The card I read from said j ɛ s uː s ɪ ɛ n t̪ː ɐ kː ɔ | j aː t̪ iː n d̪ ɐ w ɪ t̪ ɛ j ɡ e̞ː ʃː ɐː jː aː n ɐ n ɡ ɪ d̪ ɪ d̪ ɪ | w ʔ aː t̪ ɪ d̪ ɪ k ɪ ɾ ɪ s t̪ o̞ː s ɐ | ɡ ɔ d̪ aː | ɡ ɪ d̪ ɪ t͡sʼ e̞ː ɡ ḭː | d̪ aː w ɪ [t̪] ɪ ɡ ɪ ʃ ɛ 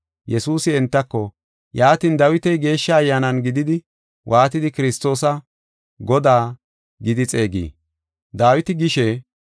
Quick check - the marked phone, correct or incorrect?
correct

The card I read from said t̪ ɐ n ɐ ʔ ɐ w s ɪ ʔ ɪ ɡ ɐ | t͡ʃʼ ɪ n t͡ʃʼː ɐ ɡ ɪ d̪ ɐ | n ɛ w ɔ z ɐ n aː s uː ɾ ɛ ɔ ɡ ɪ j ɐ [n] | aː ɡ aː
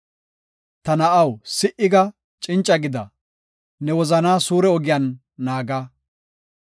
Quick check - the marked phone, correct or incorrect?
incorrect: nː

